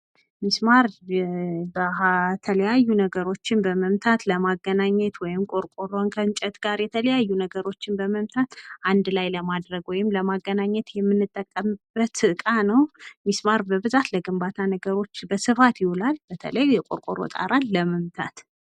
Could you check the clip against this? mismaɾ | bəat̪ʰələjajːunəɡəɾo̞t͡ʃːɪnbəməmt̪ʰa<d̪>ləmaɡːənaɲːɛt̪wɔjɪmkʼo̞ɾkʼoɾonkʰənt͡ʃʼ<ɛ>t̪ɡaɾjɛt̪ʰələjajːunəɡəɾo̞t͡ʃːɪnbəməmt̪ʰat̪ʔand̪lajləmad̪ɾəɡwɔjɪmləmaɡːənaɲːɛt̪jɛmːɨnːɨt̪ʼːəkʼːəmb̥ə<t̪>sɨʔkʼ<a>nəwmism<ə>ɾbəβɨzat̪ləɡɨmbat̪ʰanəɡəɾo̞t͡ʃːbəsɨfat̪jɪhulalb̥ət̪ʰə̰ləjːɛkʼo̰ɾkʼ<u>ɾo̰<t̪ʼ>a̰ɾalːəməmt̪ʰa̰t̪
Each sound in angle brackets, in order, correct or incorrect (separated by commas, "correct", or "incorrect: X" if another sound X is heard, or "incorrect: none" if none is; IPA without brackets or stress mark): incorrect: t̪, correct, correct, correct, incorrect: a, incorrect: o, correct